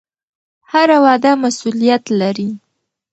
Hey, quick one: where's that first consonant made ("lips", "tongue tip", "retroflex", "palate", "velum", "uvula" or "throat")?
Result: throat